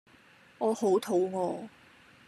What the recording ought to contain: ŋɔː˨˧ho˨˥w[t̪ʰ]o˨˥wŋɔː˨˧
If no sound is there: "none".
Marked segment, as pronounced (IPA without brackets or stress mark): t̪ʰ